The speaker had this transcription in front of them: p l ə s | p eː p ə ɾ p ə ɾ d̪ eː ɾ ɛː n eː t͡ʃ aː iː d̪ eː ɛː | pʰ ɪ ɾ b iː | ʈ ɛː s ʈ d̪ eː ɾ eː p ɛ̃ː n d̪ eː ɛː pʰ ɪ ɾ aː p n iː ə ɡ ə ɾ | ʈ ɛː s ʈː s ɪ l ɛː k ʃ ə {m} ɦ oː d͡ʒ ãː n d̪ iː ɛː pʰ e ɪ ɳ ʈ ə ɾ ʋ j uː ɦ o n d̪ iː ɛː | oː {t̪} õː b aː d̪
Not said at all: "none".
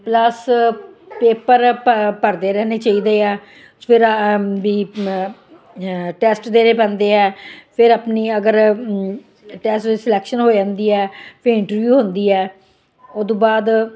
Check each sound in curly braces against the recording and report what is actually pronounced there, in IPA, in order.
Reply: n, d̪

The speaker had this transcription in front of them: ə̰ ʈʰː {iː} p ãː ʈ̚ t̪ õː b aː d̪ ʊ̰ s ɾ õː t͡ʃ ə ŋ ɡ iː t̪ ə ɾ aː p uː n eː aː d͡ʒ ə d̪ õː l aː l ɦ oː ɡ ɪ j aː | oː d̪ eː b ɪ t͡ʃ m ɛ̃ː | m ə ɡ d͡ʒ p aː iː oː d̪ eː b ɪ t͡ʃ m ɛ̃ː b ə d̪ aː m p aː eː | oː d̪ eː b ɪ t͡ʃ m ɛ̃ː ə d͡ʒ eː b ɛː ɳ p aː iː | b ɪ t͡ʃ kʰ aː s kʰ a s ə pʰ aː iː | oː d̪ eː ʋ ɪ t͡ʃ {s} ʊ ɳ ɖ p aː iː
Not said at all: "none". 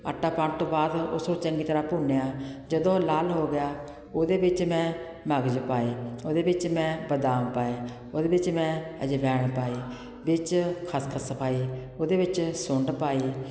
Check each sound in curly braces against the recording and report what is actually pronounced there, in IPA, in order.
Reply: aː, s

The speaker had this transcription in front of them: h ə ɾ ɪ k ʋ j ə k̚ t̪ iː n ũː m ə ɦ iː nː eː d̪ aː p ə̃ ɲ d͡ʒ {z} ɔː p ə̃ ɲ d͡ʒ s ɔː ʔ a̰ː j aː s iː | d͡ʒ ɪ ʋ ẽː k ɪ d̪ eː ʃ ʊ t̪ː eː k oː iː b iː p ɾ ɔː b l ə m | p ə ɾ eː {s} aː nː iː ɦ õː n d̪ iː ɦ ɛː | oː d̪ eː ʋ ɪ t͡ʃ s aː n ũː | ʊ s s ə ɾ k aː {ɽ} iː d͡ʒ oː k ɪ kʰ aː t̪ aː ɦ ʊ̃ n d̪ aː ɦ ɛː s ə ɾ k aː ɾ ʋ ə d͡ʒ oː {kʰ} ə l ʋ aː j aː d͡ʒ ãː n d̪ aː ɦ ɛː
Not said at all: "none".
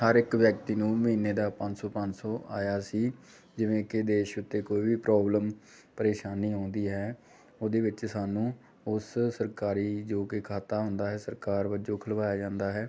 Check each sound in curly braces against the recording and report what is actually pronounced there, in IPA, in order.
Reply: s, ʃ, ɾ, kʰ

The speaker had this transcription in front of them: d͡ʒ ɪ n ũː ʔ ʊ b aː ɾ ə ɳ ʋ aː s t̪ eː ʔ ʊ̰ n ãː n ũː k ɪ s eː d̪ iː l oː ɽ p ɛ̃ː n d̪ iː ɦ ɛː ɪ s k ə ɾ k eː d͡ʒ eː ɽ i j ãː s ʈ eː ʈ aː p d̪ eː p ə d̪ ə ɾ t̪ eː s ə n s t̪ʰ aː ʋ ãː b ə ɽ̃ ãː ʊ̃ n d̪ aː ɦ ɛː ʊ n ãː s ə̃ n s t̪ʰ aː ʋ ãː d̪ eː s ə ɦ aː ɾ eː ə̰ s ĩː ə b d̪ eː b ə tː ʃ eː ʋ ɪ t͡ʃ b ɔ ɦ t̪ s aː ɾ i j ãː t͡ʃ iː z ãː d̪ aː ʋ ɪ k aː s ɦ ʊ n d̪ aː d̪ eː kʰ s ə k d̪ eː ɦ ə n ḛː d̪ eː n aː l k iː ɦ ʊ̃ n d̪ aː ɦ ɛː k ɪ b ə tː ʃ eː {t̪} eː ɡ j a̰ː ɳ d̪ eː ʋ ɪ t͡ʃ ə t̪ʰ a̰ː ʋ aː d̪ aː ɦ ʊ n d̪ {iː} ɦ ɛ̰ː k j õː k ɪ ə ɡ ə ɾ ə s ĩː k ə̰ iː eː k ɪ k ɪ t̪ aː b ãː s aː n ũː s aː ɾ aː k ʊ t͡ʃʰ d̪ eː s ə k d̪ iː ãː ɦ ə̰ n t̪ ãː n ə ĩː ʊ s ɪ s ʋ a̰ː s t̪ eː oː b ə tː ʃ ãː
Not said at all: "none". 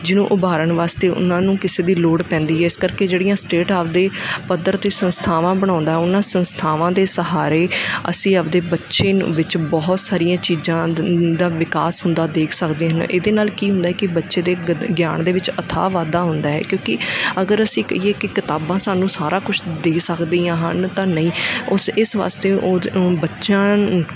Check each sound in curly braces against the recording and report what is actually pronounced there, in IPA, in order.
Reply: d̪, aː

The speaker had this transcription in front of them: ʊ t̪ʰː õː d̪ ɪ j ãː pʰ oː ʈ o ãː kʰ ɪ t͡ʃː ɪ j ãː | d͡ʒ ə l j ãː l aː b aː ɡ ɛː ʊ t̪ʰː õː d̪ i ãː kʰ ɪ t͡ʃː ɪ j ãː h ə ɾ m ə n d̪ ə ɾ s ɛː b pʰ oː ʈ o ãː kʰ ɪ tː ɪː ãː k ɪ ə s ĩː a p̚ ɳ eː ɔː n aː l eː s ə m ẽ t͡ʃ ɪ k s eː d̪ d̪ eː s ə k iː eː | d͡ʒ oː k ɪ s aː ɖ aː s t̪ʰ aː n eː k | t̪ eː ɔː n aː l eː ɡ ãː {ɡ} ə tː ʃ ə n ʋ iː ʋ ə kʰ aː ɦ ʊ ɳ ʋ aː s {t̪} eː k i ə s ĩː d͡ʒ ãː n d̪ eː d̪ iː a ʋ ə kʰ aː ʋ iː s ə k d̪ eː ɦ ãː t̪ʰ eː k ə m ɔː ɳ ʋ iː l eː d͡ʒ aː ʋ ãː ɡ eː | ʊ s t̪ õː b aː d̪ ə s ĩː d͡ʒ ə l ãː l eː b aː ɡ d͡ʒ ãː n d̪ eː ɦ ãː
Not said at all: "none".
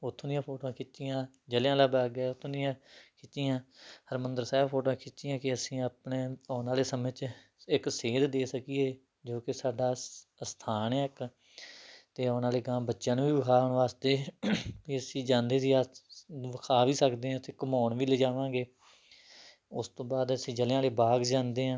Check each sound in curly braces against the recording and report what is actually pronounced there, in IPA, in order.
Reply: b, t̪

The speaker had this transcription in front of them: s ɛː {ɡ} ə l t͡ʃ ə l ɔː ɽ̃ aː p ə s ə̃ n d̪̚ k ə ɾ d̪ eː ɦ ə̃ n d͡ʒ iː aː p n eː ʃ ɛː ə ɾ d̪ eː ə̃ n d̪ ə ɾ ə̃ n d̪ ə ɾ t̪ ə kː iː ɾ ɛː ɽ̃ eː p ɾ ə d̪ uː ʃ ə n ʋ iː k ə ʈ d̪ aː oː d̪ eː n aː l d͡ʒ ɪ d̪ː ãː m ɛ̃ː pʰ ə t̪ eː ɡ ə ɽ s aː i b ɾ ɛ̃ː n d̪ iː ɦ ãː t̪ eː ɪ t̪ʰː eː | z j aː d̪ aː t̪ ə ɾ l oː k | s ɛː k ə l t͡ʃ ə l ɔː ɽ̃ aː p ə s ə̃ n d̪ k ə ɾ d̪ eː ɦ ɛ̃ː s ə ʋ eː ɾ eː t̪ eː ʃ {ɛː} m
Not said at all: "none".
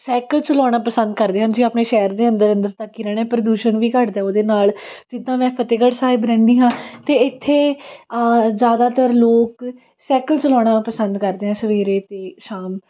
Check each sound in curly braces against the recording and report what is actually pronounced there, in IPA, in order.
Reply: k, aː

